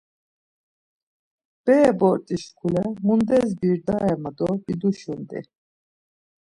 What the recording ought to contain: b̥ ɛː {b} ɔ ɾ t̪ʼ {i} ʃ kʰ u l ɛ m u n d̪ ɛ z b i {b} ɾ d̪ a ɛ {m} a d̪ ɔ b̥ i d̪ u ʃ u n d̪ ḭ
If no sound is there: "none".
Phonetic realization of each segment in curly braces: b, i, none, m

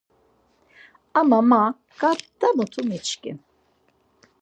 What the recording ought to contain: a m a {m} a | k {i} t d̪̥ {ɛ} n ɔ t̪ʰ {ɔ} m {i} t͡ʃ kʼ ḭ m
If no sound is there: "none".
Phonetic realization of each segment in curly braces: m, a, a, u, i

